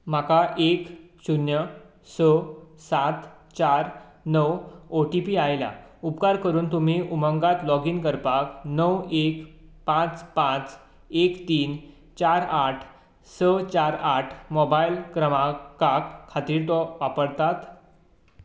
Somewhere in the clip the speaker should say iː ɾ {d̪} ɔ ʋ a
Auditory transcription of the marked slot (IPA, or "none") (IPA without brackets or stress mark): t̪